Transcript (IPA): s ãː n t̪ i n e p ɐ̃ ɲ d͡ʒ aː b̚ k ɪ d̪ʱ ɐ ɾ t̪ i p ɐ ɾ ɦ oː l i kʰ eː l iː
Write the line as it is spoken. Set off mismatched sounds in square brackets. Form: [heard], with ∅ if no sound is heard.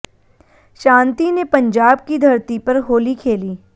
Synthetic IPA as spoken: [ʃ] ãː n t̪ i n e p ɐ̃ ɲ d͡ʒ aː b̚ k [i] d̪ʱ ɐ ɾ t̪ i p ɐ ɾ ɦ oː l i kʰ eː l iː